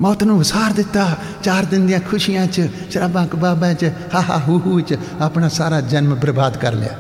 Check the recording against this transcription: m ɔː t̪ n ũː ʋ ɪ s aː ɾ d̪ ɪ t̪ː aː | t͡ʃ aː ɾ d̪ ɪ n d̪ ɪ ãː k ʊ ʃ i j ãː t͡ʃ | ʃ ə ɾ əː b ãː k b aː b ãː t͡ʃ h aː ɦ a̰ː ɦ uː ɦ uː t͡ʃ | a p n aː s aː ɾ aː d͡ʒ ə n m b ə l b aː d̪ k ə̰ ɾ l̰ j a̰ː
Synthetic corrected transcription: m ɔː t̪ n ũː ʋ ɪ s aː ɾ d̪ ɪ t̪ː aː | t͡ʃ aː ɾ d̪ ɪ n d̪ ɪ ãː kʰ ʊ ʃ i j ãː t͡ʃ | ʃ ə ɾ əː b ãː k b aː b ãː t͡ʃ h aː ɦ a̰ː ɦ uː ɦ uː t͡ʃ | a p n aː s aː ɾ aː d͡ʒ ə n m b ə ɾ b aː d̪ k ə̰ ɾ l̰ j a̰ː